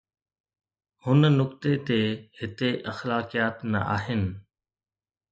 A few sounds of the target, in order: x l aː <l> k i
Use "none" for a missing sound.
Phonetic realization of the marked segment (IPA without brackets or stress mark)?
none